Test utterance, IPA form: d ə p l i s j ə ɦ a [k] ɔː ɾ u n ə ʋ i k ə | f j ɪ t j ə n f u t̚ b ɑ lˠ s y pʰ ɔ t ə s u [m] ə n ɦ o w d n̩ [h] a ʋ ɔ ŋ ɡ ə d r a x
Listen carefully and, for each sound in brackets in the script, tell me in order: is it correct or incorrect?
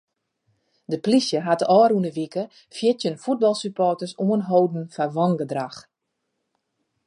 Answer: incorrect, correct, incorrect

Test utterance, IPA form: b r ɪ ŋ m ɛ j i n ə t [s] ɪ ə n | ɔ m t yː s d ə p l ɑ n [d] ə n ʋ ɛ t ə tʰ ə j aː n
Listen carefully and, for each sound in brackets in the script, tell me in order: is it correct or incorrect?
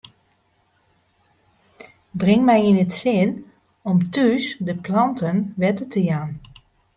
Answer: correct, incorrect

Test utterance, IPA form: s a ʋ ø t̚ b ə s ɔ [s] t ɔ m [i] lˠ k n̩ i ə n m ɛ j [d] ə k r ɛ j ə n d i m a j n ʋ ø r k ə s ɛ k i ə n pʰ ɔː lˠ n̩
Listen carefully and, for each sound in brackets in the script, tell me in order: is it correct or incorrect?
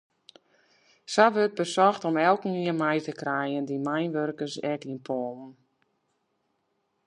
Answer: incorrect, incorrect, incorrect

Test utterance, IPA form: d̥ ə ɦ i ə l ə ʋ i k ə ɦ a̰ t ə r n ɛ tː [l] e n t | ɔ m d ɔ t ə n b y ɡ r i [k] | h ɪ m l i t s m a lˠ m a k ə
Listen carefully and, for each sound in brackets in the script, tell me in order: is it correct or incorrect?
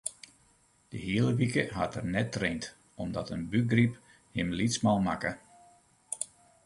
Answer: incorrect, incorrect

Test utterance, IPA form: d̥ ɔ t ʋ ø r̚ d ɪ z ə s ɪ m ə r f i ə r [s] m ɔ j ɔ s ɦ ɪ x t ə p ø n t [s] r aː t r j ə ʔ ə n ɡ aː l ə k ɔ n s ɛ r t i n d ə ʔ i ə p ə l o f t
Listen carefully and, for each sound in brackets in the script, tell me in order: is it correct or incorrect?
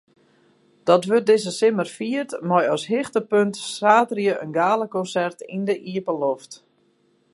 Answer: incorrect, correct

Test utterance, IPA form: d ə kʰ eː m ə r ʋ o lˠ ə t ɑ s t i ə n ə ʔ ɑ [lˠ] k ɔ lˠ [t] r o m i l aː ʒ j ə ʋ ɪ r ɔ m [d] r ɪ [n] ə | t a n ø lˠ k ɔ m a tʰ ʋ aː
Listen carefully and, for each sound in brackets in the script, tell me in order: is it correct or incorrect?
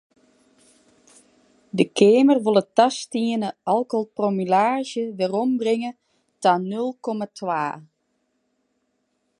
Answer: correct, incorrect, incorrect, incorrect

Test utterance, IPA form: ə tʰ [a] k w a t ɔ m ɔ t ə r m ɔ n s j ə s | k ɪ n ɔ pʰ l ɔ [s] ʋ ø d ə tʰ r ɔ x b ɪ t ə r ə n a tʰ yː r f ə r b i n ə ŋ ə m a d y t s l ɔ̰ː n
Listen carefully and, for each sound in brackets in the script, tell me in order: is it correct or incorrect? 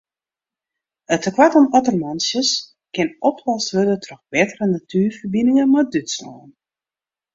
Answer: incorrect, correct

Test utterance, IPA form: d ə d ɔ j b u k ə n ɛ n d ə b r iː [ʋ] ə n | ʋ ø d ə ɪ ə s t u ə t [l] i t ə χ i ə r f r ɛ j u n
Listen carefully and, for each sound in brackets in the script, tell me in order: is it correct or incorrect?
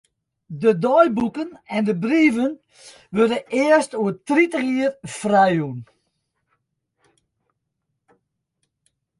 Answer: incorrect, incorrect

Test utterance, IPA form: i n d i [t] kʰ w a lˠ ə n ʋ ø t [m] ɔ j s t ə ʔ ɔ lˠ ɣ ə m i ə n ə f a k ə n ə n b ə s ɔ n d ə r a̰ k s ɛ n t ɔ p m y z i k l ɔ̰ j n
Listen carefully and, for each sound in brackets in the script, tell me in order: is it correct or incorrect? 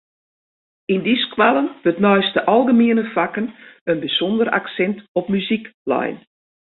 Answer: incorrect, incorrect

